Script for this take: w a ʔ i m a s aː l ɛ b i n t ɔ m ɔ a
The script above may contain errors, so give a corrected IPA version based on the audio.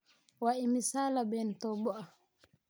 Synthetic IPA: w a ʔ i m i s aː l a b ɛ n t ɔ b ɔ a